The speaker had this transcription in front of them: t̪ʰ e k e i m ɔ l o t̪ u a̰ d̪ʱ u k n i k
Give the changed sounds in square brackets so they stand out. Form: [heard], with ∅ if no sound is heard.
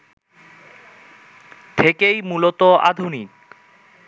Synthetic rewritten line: t̪ʰ e k e [j] m [u] l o t̪ [o] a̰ d̪ʱ u [∅] n i k